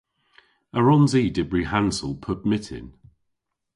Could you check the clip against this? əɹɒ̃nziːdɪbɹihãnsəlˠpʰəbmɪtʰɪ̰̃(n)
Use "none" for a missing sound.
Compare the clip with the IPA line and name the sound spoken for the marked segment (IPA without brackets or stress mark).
n